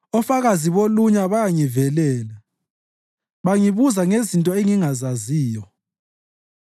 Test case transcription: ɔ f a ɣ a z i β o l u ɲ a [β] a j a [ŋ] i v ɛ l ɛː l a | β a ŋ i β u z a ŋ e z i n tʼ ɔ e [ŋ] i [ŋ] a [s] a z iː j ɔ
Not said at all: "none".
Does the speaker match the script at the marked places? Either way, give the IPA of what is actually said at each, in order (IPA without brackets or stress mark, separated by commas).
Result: β, ŋ, ŋ, ŋ, z